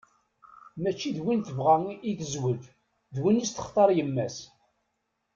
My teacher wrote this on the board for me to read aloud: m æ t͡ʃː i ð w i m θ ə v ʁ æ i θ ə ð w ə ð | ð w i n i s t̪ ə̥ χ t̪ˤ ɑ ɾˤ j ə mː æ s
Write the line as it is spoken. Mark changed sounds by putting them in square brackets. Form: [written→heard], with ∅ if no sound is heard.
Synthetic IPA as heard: m æ t͡ʃː i ð w i [m→n] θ ə v ʁ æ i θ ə [ð→z] w ə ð | ð w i n i s t̪ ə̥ χ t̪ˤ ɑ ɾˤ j ə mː æ s